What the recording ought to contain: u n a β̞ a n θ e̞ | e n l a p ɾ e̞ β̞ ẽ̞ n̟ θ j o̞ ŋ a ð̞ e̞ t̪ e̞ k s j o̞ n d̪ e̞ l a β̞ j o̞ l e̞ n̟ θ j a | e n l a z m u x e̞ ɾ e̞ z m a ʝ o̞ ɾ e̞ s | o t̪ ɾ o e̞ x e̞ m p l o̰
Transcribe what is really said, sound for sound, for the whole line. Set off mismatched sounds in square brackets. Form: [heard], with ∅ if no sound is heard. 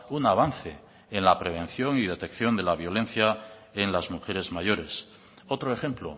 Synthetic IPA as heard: u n a β̞ a n θ e̞ | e n l a p ɾ e̞ β̞ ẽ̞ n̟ θ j o̞ ŋ [i] ð̞ e̞ t̪ e̞ k [θ] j o̞ n d̪ e̞ l a β̞ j o̞ l e̞ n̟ θ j a | e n l a z m u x e̞ ɾ e̞ z m a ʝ o̞ ɾ e̞ s | o t̪ ɾ o e̞ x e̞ m p l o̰